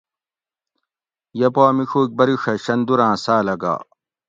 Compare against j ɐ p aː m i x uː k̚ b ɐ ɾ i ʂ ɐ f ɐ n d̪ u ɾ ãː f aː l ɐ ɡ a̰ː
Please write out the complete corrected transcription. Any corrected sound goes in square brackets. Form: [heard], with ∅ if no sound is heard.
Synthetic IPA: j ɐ p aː m i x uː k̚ b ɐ ɾ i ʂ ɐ [ɕ] ɐ n d̪ u ɾ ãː [s] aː l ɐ ɡ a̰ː